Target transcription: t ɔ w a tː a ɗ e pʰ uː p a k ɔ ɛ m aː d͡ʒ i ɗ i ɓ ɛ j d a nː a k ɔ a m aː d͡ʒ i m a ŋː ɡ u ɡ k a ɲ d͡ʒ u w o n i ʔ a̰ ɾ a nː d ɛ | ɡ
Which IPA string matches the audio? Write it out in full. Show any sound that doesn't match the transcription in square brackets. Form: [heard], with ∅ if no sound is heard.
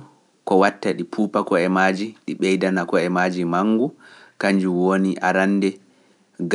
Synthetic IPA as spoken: [k] ɔ w a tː a ɗ [i] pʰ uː p a k ɔ ɛ m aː d͡ʒ i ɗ i ɓ ɛ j d a [n] a k ɔ [ɛ] m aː d͡ʒ i m a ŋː ɡ u [∅] k a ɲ d͡ʒ u w o n i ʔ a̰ ɾ a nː d ɛ | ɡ